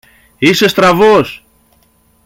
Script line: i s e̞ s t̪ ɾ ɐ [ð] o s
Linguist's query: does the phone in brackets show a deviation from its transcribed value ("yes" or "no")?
yes